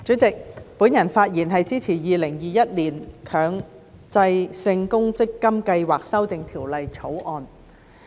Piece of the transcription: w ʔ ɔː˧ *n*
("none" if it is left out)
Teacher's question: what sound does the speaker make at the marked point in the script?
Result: n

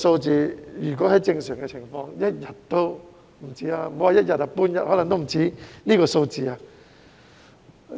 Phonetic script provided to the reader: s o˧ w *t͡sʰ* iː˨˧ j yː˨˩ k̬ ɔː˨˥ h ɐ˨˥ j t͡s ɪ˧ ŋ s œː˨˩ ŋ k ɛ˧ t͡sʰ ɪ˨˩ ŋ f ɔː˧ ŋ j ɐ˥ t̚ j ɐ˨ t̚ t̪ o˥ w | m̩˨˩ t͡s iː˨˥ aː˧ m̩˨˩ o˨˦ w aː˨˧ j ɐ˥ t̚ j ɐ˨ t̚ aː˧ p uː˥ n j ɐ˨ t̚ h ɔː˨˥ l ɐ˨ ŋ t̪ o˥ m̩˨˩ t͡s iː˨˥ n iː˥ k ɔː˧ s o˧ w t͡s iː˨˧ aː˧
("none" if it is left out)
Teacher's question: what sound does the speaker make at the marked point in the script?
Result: t͡s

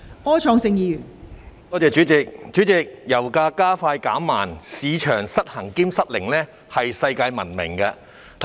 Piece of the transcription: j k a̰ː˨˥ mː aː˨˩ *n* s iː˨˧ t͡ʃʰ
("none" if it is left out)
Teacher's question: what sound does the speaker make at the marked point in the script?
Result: n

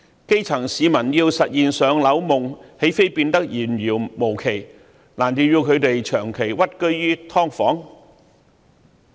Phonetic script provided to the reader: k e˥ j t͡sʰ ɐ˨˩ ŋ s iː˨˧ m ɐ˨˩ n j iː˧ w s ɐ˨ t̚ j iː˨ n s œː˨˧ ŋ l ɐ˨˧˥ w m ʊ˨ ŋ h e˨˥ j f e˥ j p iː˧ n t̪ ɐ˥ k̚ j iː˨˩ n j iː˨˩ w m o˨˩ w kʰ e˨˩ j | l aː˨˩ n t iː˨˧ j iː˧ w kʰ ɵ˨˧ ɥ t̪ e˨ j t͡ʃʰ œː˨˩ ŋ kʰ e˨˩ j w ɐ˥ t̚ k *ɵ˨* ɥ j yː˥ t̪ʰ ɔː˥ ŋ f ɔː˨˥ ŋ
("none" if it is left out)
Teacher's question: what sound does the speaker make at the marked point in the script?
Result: ɵ˥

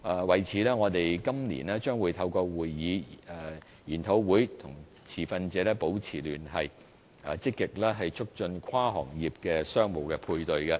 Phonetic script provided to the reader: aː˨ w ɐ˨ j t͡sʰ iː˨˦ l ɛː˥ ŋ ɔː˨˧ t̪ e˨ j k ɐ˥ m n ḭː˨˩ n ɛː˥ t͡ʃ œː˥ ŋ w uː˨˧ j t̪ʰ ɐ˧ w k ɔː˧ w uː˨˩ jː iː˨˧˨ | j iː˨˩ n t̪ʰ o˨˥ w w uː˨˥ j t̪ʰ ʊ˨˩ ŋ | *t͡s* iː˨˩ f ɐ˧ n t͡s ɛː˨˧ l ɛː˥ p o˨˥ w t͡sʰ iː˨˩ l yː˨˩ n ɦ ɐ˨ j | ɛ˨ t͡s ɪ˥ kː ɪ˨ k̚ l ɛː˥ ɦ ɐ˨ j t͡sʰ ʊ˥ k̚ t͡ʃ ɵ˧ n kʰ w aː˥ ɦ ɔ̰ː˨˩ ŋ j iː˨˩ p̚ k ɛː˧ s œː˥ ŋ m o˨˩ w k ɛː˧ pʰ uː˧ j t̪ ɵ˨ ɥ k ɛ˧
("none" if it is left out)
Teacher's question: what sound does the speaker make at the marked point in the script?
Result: t͡sʰ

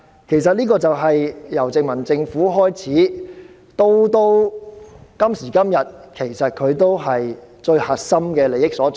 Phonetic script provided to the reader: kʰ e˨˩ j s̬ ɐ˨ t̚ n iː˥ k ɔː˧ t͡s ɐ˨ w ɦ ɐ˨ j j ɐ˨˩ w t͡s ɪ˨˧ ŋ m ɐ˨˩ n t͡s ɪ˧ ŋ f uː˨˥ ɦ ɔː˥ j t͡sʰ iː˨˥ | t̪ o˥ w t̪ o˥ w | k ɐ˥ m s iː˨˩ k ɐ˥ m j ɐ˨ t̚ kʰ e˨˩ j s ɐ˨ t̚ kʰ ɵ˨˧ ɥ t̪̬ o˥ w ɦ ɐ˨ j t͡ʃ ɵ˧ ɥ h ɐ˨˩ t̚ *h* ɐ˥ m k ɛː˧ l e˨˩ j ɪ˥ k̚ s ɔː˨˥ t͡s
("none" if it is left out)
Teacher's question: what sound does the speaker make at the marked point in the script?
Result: s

